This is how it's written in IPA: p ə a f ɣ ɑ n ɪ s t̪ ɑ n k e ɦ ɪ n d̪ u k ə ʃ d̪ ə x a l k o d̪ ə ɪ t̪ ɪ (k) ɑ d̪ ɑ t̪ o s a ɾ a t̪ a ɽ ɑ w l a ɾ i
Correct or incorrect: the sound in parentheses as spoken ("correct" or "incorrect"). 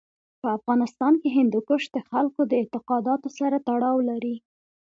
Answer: incorrect